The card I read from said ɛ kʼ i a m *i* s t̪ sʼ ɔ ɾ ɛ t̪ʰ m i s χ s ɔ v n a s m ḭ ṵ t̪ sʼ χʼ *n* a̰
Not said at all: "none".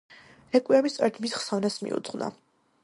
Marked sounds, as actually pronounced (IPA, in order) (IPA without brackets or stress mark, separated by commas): i, n